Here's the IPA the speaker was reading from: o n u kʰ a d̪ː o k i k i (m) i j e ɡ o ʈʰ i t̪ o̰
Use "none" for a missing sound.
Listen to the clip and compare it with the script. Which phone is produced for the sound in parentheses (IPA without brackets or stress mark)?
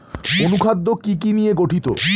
n